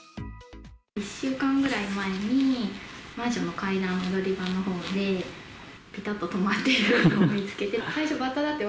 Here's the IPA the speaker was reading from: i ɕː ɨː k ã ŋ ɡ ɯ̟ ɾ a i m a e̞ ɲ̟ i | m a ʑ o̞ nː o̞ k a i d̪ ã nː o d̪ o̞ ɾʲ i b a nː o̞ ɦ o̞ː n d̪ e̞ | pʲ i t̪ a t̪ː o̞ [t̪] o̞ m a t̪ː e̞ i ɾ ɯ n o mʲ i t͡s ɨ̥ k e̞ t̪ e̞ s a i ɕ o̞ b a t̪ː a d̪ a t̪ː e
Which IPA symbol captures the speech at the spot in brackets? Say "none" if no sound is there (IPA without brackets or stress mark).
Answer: t̪